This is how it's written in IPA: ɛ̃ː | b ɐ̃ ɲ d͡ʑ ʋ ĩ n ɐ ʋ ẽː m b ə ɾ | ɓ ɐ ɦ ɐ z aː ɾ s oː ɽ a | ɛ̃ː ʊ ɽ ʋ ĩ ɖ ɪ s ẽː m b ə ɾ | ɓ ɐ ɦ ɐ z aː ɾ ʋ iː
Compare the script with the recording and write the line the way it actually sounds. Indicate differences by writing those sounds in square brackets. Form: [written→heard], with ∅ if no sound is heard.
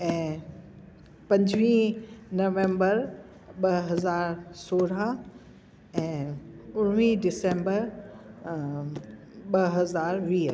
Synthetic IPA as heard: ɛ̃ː | [b→p] ɐ̃ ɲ d͡ʑ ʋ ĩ n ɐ ʋ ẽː m b ə ɾ | ɓ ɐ ɦ ɐ z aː ɾ s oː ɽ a | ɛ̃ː ʊ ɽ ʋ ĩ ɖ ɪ s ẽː m b ə ɾ | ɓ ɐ ɦ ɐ z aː ɾ ʋ iː